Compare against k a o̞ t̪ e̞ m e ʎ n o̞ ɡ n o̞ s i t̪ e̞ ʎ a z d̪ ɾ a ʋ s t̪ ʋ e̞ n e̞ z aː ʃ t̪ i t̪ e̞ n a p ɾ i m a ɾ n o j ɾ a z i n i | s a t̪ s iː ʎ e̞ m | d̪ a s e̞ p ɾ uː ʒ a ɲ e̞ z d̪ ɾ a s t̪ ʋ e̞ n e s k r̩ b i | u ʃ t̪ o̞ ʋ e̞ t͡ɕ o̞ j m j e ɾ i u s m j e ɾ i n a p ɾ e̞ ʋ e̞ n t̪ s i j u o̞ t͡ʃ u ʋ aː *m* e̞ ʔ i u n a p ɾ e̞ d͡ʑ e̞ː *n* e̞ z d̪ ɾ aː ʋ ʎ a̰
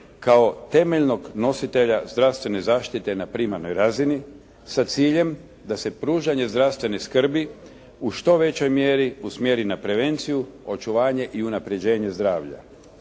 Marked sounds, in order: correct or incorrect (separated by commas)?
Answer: incorrect, incorrect